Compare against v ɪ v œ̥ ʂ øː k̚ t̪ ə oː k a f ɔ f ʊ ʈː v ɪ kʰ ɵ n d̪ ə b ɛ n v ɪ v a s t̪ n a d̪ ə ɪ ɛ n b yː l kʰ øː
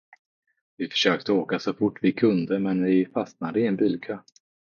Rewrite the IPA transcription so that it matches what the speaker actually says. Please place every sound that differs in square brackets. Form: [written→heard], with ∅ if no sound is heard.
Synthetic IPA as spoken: v ɪ [v→f] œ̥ ʂ øː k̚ t̪ ə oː k a [f→s] ɔ f ʊ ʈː v ɪ kʰ ɵ n d̪ ə [b→m] ɛ n v ɪ [v→f] a s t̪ n a d̪ ə ɪ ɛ n b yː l kʰ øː

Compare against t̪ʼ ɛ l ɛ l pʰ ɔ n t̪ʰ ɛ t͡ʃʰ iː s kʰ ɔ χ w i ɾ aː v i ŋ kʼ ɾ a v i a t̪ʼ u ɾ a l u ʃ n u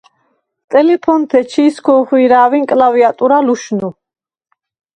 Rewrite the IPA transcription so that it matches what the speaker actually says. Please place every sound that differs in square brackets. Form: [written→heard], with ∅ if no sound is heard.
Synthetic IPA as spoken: t̪ʼ ɛ l ɛ [l→∅] pʰ ɔ n t̪ʰ ɛ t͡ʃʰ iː s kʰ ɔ χ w i ɾ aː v i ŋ kʼ [ɾ→l] a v i a t̪ʼ u ɾ a l u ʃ n u

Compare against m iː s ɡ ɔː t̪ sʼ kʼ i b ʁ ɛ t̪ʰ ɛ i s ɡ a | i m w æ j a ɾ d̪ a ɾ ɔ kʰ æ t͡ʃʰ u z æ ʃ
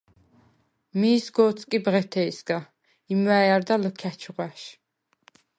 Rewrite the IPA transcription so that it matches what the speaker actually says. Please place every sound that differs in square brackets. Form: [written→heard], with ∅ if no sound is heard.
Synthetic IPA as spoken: m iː s ɡ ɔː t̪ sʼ kʼ i b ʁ ɛ t̪ʰ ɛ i s ɡ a | i m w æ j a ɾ d̪ a [ɾ→l] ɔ kʰ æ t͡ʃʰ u [z→ʁ] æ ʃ

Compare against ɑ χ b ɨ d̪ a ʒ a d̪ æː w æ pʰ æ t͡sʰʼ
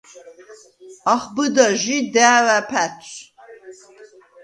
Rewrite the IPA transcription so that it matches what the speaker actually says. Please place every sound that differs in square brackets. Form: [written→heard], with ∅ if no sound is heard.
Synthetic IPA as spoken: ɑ χ b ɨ d̪ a ʒ [a→i] d̪ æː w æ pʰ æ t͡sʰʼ

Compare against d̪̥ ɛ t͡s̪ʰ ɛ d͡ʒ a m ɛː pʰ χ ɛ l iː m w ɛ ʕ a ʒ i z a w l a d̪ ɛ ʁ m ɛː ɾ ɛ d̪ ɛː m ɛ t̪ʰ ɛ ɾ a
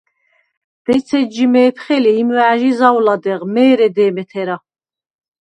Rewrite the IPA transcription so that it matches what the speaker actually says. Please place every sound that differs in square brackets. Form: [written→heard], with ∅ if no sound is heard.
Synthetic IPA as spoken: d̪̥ ɛ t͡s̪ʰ ɛ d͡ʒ [a→i] m ɛː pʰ χ ɛ l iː m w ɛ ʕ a ʒ i z a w l a d̪ ɛ ʁ m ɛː ɾ ɛ d̪ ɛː m ɛ t̪ʰ ɛ ɾ a

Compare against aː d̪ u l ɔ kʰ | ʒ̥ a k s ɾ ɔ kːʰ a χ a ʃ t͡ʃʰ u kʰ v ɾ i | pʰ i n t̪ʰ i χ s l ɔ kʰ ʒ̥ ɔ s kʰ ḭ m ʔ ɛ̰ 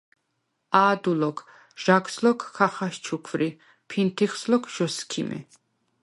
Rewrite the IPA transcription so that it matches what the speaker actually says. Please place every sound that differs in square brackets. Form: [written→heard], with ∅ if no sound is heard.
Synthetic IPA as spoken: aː d̪ u l ɔ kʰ | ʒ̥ a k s [ɾ→l] ɔ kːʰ a χ a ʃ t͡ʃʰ u kʰ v ɾ i | pʰ i n t̪ʰ i χ s l ɔ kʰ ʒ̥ ɔ s kʰ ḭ m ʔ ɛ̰

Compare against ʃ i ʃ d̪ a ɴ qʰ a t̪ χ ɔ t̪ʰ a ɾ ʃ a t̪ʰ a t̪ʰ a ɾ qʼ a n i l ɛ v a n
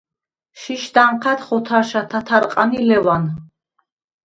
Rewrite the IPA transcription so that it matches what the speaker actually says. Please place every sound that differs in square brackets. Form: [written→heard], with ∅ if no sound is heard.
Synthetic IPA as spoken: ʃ i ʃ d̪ a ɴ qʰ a t̪ χ ɔ t̪ʰ a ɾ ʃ a t̪ʰ a t̪ʰ a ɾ qʼ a n i l ɛ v a n

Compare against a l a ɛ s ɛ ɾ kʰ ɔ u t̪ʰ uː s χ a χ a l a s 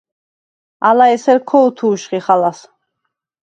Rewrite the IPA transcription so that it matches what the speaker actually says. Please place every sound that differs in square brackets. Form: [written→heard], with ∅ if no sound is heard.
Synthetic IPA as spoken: a l a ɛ s ɛ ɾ kʰ ɔ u t̪ʰ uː [s→ʃ] χ [a→i] χ a l a s

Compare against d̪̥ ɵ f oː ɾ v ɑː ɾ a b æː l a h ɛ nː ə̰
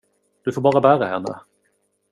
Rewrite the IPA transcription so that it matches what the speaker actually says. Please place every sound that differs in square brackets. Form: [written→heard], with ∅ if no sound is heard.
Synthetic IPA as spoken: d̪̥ ɵ f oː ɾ [v→b] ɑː ɾ a b æː [l→ɾ] a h ɛ nː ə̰

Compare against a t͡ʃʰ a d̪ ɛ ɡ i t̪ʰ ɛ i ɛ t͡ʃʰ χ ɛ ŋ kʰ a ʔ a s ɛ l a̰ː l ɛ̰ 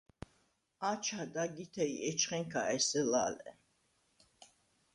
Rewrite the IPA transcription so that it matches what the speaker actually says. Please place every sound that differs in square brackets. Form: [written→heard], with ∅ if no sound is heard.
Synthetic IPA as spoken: a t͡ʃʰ a d̪ [ɛ→a] ɡ i t̪ʰ ɛ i ɛ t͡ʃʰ χ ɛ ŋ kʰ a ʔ [a→ɛ] s ɛ l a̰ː l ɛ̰

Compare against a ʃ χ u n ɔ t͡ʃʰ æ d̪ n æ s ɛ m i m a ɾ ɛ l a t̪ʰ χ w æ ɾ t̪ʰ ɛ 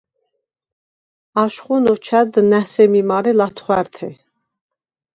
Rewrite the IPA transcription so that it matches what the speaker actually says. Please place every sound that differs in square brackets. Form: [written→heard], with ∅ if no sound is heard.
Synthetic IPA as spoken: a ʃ χ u n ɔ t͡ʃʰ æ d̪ n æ s ɛ m i m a ɾ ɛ l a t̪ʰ χ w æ ɾ t̪ʰ ɛ

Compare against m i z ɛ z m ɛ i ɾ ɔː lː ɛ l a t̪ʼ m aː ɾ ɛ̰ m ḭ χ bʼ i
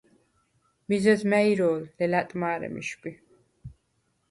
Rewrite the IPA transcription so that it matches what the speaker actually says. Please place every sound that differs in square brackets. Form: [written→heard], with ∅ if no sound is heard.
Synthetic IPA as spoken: m i z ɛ z m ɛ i ɾ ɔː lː ɛ l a t̪ʼ m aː ɾ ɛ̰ m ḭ [χ→ʃ] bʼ i

